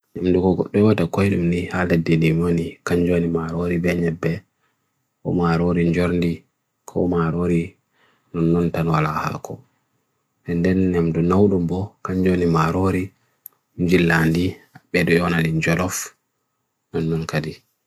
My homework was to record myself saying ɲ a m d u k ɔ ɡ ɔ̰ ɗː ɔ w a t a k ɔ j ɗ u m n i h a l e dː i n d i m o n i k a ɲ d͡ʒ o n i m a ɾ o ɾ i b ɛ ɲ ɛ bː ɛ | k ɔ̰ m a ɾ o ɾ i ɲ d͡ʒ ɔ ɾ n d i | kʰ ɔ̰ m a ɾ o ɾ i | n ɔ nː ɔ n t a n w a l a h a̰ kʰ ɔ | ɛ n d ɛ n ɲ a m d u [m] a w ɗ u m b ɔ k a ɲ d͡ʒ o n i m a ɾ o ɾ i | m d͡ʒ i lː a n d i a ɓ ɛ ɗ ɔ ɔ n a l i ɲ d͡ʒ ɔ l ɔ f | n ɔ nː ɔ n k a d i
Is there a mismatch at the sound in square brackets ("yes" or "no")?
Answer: yes